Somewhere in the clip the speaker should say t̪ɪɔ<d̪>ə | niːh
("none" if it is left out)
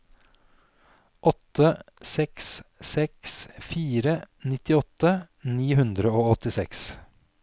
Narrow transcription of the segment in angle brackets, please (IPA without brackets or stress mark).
t̪